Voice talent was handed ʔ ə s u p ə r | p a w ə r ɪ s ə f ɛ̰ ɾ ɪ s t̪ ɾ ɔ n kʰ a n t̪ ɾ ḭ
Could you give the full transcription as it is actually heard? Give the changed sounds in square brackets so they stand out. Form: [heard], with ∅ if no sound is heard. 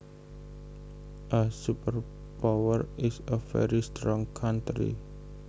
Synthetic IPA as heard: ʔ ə s u p ə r | p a w ə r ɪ s ə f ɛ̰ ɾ [i] s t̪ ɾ ɔ [ŋ] kʰ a n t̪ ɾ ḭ

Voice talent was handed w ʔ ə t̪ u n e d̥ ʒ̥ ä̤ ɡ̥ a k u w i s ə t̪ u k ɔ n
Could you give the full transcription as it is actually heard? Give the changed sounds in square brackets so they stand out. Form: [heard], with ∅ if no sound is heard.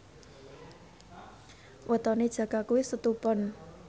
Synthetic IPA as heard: w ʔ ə t̪ [ɔ] n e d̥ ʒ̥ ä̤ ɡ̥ a k u w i s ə t̪ u [p] ɔ n

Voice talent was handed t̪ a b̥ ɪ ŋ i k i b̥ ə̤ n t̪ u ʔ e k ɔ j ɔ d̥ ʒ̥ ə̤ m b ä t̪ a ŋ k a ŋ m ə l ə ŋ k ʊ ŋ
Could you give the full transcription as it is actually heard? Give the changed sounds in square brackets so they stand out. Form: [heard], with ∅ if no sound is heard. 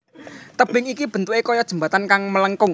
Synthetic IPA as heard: t̪ [ə] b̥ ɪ ŋ i k i b̥ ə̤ n t̪ u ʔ e k ɔ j ɔ d̥ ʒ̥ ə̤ m b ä t̪ a [n] k a ŋ m ə l ə ŋ k ʊ ŋ

